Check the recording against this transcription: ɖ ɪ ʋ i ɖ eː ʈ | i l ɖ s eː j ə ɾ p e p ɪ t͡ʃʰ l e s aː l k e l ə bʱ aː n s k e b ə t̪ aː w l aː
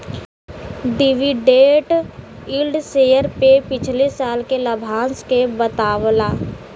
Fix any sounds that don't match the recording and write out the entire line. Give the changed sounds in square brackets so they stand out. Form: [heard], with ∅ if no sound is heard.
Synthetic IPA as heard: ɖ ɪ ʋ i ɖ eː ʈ | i l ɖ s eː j ə ɾ p e p ɪ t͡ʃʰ l e s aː l k e l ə bʱ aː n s k e b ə t̪ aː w l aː

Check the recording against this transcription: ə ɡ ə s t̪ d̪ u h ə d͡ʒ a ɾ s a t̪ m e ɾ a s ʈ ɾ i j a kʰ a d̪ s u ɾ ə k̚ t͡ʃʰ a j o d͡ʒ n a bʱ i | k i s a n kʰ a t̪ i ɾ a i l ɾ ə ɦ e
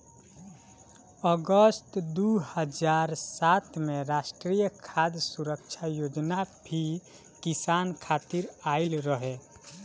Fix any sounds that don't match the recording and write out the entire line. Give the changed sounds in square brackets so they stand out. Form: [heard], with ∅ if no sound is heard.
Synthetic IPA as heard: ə ɡ ə s t̪ d̪ u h ə d͡ʒ a ɾ s a t̪ m e ɾ a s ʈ ɾ i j [ə] kʰ a d̪ s u ɾ ə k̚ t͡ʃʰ a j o d͡ʒ n a bʱ i | k i s a n kʰ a t̪ i ɾ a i l ɾ ə ɦ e

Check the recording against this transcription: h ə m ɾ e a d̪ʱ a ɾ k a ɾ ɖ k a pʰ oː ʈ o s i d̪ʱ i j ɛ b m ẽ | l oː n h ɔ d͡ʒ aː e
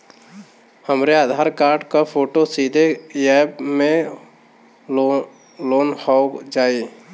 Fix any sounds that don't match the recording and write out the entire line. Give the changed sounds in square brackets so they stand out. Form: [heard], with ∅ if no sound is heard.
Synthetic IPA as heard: h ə m ɾ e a d̪ʱ a ɾ k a ɾ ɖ k a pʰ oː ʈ o s i d̪ʱ [e] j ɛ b m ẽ | l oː n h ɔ d͡ʒ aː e

